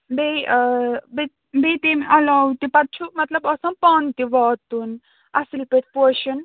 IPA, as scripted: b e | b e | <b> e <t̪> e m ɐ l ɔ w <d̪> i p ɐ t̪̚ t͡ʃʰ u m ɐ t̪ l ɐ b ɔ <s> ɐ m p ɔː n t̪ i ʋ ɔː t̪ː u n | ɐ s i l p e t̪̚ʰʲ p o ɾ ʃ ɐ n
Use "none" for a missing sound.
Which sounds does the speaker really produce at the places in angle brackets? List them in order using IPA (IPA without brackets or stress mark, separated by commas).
b, t̪, t̪, s